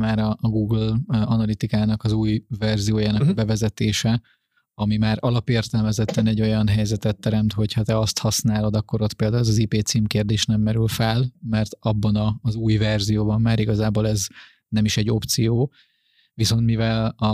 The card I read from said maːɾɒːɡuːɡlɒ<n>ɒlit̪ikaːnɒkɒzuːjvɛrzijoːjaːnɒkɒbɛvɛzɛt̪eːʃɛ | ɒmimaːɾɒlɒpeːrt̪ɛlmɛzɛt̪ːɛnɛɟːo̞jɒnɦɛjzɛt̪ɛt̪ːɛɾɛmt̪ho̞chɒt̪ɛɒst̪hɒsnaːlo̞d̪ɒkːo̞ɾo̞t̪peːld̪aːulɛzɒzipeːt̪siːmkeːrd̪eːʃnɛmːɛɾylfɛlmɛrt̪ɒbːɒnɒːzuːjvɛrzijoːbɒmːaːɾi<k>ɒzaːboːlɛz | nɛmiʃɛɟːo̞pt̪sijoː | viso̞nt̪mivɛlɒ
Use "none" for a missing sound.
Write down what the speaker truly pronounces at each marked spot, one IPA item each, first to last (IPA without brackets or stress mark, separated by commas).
n, ɡ